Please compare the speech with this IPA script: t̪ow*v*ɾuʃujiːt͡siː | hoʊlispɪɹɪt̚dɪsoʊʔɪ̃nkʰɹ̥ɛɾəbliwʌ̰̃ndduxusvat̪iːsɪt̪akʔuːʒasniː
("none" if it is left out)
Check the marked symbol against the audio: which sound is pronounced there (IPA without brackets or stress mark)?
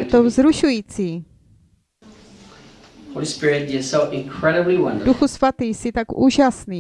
z